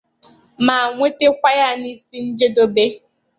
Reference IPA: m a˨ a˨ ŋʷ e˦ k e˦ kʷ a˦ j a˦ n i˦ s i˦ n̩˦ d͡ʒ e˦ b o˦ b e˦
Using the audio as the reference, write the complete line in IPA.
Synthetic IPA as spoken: m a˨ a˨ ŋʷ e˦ t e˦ kʷ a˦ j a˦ n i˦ s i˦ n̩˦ d͡ʒ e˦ d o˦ b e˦